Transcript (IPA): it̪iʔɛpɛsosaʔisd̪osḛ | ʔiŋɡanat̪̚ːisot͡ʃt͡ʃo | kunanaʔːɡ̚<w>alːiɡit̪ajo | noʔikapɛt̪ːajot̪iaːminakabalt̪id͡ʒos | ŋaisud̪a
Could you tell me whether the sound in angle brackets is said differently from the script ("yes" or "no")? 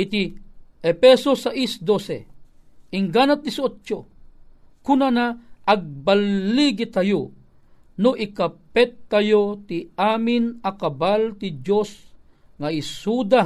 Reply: yes